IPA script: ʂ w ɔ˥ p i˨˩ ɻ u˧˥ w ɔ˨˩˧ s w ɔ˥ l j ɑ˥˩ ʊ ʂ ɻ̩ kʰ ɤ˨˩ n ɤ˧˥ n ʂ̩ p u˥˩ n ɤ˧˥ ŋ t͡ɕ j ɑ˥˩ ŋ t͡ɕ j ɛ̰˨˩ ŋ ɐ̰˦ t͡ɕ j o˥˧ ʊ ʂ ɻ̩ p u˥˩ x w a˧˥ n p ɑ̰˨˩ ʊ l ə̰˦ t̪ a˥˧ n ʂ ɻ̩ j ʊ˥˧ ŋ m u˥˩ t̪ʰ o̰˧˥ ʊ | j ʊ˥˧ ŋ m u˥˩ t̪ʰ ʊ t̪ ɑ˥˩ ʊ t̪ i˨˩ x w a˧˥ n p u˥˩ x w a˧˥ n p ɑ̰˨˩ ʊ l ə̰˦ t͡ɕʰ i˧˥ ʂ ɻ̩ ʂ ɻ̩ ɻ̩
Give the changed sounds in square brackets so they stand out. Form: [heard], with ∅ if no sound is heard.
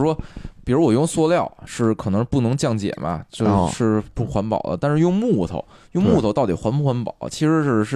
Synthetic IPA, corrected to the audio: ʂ w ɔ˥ p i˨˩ ɻ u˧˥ w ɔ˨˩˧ s w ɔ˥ l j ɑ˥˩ ʊ ʂ ɻ̩ kʰ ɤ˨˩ n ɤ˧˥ [ŋ] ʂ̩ p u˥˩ n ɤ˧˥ ŋ t͡ɕ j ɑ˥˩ ŋ t͡ɕ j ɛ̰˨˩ [m] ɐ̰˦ t͡ɕ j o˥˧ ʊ ʂ ɻ̩ p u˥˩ x w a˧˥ n p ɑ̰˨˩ ʊ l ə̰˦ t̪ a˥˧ n ʂ ɻ̩ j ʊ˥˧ ŋ m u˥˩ t̪ʰ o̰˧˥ ʊ | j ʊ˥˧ ŋ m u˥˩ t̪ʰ ʊ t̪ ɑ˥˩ ʊ t̪ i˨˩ x w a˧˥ n p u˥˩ x w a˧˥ n p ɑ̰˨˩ ʊ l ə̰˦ t͡ɕʰ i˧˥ ʂ ɻ̩ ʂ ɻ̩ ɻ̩